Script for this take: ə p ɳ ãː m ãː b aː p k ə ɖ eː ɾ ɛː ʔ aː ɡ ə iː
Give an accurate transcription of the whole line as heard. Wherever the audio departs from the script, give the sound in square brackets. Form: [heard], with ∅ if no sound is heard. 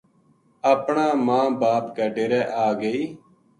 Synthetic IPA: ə p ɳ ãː m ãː b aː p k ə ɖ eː ɾ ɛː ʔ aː ɡ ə iː